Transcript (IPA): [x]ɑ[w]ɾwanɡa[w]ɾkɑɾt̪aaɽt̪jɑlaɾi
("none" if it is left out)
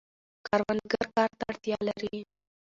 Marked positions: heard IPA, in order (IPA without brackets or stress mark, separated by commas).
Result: k, none, none